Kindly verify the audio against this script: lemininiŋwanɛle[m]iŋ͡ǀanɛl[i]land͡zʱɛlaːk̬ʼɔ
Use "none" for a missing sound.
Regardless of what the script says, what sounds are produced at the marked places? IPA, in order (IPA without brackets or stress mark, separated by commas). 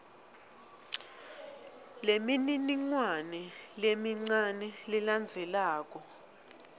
m, i